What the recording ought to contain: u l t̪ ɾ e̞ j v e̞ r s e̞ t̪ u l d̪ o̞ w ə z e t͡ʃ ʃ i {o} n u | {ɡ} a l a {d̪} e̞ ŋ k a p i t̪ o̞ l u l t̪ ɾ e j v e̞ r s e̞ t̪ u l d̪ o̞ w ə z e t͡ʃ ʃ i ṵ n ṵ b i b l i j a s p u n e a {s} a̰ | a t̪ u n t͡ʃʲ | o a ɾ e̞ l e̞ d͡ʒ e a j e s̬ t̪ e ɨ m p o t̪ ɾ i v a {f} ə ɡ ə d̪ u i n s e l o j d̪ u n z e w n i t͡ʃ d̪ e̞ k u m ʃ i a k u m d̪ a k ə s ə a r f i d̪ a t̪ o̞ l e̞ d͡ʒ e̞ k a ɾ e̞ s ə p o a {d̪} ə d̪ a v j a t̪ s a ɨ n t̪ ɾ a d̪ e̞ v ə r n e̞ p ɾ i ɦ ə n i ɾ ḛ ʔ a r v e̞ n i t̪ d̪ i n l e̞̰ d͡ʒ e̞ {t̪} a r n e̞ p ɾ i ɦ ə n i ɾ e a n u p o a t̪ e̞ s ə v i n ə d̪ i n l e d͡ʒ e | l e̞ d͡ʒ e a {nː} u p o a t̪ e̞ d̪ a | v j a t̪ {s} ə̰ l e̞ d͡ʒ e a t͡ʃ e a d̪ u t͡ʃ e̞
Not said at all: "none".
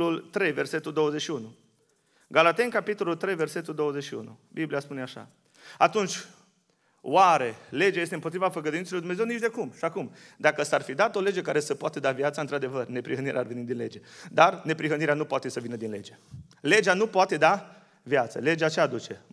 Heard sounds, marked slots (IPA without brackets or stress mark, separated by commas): u, ɡ, t̪, ʃ, f, t̪, d̪, n, s